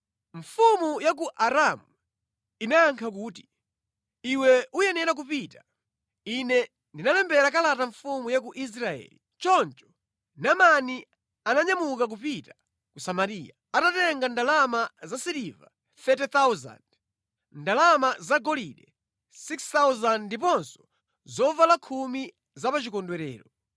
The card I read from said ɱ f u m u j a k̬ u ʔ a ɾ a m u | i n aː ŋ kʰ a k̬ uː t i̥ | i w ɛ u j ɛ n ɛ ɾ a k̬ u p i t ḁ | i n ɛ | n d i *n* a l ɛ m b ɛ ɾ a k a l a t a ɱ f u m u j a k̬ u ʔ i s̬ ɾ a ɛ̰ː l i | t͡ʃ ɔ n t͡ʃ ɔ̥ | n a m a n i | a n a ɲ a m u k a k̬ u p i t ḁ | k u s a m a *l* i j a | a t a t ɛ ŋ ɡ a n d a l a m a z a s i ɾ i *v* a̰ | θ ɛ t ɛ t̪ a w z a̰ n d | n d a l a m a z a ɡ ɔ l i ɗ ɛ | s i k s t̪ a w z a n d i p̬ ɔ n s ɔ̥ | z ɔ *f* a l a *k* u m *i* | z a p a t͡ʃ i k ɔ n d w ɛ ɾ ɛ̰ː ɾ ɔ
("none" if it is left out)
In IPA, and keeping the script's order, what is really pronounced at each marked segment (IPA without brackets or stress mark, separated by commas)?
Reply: n, ɾ, v, v, kʰ, i